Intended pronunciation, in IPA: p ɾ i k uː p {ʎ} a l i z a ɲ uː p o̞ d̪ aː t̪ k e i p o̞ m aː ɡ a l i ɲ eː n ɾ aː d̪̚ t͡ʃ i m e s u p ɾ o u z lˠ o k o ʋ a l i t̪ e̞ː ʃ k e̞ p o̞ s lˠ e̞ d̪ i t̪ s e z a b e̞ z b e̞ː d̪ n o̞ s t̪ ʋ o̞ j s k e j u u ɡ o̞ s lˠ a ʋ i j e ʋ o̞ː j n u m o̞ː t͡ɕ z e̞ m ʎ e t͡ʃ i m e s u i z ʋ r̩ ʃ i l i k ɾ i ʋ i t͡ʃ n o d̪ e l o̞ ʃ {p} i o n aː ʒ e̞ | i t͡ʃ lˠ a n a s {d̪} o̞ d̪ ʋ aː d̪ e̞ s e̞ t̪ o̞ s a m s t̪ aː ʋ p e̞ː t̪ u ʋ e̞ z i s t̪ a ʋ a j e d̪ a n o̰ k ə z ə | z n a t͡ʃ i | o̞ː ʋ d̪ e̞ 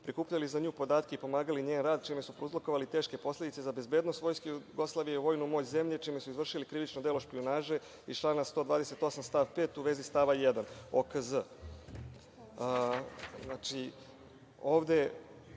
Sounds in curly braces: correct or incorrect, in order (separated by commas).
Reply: correct, correct, incorrect